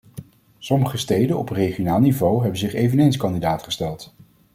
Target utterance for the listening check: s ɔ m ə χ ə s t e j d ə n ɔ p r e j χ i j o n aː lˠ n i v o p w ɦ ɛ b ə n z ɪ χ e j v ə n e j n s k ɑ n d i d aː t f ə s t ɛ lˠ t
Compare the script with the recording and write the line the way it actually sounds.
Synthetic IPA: s ɔ m ə χ ə s t e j d ə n ɔ p r e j χ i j o n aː lˠ n i v o w ɦ ɛ b ə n z ɪ χ e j v ə n e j n s k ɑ n d i d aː t χ ə s t ɛ lˠ t